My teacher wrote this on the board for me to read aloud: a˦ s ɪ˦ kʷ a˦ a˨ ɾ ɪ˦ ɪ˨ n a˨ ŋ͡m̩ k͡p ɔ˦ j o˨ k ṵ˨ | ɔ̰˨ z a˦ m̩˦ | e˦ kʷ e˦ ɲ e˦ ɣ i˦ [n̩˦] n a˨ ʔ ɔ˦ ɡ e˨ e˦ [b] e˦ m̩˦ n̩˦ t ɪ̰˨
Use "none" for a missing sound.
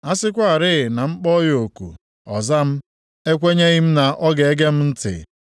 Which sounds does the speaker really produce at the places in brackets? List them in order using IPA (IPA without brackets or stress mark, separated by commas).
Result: m̩˦, ɡ